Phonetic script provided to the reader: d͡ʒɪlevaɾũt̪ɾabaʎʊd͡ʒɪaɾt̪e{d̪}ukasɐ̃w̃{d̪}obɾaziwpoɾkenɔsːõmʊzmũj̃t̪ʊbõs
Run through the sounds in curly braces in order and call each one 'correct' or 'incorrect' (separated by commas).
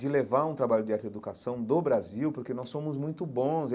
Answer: correct, correct